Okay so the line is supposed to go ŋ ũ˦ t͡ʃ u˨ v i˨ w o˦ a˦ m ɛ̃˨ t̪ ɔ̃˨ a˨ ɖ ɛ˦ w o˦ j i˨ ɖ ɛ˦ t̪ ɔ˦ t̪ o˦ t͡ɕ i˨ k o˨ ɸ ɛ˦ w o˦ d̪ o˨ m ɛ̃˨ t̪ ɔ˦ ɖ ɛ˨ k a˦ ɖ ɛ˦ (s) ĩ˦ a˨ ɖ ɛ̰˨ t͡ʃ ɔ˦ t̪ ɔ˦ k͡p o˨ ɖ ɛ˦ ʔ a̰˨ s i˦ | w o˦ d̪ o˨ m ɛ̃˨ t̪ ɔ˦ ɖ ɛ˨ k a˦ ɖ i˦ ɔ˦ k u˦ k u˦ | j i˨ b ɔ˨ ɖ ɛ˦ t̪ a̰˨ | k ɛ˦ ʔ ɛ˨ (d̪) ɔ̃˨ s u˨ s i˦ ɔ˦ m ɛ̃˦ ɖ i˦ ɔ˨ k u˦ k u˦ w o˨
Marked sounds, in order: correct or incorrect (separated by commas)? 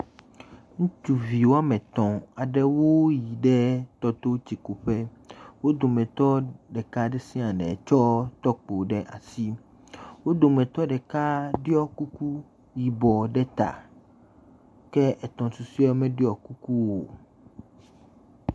correct, incorrect